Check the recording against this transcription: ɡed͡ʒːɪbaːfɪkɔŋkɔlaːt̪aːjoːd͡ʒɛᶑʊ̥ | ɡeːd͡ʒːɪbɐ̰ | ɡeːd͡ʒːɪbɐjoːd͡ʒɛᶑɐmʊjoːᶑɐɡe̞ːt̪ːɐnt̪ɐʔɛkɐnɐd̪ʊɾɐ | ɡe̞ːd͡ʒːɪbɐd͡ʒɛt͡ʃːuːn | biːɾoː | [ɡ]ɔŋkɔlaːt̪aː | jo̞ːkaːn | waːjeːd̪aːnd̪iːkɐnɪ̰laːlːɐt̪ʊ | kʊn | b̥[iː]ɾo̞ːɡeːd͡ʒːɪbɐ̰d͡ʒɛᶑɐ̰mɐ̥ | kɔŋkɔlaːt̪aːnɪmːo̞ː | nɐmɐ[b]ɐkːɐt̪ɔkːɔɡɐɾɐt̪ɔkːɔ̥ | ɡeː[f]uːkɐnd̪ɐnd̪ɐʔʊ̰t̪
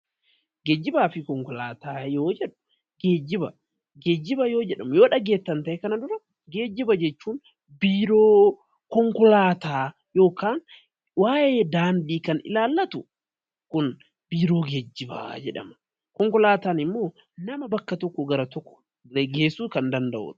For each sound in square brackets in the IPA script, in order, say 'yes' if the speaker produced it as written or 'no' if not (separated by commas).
no, yes, yes, no